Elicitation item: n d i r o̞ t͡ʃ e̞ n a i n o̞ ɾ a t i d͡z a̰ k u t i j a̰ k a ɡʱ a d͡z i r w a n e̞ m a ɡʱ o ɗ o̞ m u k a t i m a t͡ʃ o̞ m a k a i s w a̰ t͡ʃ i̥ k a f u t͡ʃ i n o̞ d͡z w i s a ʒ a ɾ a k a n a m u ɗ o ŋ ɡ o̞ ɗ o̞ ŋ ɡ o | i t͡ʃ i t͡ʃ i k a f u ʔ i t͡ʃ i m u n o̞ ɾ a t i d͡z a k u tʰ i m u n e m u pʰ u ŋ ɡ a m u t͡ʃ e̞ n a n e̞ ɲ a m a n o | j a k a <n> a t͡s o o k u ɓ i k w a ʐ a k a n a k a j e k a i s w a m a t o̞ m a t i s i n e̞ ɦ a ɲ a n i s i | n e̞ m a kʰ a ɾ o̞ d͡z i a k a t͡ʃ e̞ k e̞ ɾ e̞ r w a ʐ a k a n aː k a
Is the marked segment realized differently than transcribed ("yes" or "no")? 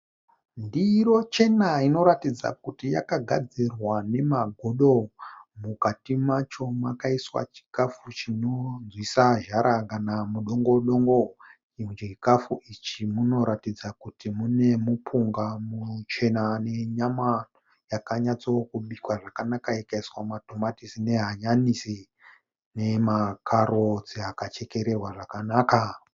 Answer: yes